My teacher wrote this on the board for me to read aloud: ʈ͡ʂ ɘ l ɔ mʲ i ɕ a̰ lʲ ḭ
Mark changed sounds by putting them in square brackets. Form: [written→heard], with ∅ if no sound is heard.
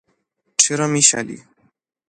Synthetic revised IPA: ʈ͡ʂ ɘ [l→ɾ] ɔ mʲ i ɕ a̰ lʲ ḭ

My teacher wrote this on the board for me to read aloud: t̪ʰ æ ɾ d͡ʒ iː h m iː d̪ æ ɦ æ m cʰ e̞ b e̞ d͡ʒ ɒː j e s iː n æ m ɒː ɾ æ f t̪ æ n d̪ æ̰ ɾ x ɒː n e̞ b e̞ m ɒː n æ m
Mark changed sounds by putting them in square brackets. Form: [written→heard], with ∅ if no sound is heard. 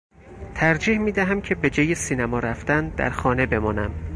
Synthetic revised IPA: t̪ʰ æ ɾ d͡ʒ iː h m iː d̪ æ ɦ æ m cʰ e̞ b e̞ d͡ʒ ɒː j e s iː n æ m ɒː ɾ æ f t̪ æ n d̪ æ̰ ɾ x ɒː n e̞ b e̞ m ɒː n æ m

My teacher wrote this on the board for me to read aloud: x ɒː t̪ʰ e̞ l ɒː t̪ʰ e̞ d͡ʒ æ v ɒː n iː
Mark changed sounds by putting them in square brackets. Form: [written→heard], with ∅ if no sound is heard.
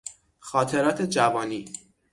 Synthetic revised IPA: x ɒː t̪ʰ e̞ [l→ɾ] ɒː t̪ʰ e̞ d͡ʒ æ v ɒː n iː

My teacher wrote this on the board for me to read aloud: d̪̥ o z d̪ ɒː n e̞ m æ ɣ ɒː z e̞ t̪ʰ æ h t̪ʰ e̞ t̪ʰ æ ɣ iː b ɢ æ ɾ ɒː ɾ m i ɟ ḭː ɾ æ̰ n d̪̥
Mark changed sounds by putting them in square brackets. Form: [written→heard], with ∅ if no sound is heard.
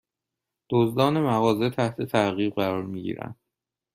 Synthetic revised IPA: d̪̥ o z d̪ ɒː n e̞ m æ ɣ ɒː z e̞ t̪ʰ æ h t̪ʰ e̞ t̪ʰ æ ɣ iː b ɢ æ ɾ ɒː ɾ m i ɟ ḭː ɾ æ̰ n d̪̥

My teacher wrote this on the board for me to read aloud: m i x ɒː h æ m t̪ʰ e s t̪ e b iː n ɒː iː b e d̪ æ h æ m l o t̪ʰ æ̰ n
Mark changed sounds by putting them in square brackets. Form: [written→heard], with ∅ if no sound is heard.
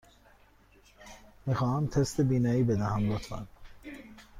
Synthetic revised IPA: m i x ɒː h æ m t̪ʰ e s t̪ e b iː n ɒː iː b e d̪ æ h æ m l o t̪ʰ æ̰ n

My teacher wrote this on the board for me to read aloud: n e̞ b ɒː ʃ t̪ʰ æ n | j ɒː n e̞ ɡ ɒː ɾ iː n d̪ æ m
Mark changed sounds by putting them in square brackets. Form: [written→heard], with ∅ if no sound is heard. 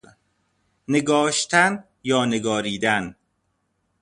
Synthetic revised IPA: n e̞ [b→ɡ] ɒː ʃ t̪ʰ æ n | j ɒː n e̞ ɡ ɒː ɾ iː [n→∅] d̪ æ [m→n]

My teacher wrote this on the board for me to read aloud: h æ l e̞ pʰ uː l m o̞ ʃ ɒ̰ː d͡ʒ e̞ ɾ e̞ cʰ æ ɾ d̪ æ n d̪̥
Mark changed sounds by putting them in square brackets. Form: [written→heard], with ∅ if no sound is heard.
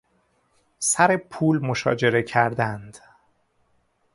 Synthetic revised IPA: [h→s] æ [l→ɾ] e̞ pʰ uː l m o̞ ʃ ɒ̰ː d͡ʒ e̞ ɾ e̞ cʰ æ ɾ d̪ æ n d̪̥

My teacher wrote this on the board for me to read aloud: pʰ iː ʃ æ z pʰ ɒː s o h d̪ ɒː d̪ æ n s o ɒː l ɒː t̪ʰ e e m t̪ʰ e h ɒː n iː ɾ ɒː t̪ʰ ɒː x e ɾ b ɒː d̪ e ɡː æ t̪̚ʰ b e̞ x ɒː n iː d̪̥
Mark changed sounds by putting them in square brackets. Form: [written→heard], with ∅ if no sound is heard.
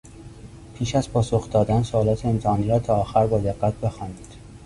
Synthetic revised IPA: pʰ iː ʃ æ z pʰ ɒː s o [h→x] d̪ ɒː d̪ æ n s o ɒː l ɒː t̪ʰ e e m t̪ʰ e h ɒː n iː ɾ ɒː t̪ʰ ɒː x [e→æ] ɾ b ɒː d̪ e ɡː æ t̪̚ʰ b e̞ x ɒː n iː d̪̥

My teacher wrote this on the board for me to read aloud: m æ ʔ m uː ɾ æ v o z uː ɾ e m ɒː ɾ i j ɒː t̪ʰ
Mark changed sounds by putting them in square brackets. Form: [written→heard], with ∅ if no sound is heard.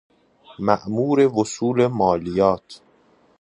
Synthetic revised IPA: m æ ʔ m uː ɾ [æ→e] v o [z→s] uː [ɾ→l] e m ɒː [ɾ→l] i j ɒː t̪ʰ

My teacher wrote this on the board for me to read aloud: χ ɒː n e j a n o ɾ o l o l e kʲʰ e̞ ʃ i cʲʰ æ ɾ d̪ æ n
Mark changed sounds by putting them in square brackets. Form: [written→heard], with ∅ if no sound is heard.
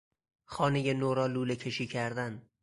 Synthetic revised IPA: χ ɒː n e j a n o ɾ [o→ɒ] l [o→u] l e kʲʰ e̞ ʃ i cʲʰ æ ɾ d̪ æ n

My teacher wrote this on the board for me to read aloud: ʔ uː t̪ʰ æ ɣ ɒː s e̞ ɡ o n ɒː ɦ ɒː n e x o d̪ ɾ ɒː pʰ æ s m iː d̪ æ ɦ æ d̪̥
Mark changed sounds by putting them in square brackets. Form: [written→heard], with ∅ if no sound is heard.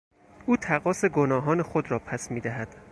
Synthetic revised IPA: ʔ uː t̪ʰ æ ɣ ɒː s e̞ ɡ o n ɒː ɦ ɒː n e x o d̪ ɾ ɒː pʰ æ s m iː d̪ æ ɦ æ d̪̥

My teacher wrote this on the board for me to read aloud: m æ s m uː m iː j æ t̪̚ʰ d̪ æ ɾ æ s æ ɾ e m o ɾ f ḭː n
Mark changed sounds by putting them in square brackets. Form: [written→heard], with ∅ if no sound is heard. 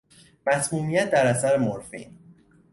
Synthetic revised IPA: m æ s m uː m [iː→i] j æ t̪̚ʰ d̪ æ ɾ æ s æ ɾ e m o ɾ f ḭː n

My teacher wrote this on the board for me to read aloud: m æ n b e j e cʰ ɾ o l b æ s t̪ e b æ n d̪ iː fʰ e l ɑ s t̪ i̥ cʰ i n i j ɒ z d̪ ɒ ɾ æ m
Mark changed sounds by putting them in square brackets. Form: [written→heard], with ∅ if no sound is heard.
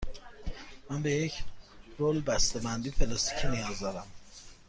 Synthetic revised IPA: m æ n b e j e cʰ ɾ o l b æ s t̪ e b æ n d̪ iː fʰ e l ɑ s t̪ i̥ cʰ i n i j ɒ z d̪ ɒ ɾ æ m

